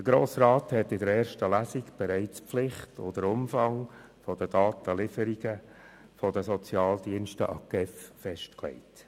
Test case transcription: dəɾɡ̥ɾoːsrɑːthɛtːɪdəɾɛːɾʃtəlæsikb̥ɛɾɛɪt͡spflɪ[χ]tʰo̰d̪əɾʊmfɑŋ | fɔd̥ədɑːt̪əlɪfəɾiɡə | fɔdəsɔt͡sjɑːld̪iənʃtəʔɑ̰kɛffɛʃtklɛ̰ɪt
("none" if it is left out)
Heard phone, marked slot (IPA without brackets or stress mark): χ